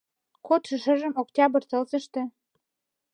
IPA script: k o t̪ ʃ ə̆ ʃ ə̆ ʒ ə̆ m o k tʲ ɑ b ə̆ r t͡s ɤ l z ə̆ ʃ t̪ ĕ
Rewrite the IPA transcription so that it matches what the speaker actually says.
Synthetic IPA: k o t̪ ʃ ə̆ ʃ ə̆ ʒ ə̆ m o k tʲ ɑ b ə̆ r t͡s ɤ l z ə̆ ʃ t̪ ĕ